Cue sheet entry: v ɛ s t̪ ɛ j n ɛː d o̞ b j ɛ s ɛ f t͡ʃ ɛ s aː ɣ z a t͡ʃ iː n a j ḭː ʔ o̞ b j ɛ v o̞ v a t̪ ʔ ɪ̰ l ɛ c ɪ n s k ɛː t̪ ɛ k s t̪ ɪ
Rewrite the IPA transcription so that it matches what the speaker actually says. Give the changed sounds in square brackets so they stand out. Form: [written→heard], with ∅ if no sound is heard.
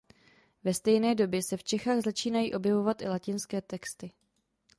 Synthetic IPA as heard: v ɛ s t̪ ɛ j n ɛː d o̞ b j ɛ s ɛ f t͡ʃ ɛ [s→x] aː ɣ z a t͡ʃ iː n a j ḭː ʔ o̞ b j ɛ v o̞ v a t̪ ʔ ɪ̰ l [ɛ→a] c ɪ n s k ɛː t̪ ɛ k s t̪ ɪ